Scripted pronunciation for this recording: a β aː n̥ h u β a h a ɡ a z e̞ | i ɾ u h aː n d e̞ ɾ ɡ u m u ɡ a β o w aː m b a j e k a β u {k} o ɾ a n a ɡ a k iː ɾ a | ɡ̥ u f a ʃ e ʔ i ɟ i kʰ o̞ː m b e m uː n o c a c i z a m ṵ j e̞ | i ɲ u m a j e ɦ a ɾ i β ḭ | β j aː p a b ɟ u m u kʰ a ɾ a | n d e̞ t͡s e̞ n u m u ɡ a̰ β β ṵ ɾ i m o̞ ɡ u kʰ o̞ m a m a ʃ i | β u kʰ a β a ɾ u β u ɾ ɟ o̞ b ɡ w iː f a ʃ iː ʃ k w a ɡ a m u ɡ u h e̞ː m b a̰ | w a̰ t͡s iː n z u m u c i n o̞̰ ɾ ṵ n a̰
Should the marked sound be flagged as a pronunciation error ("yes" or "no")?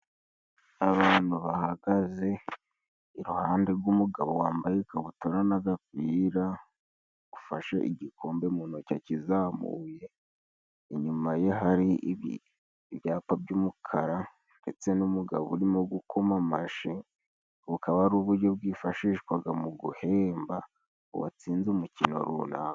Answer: yes